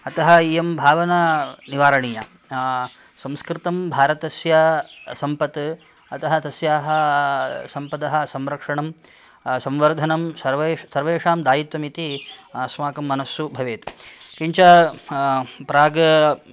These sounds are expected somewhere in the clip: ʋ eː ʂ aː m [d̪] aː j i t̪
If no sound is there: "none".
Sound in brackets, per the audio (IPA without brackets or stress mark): d̪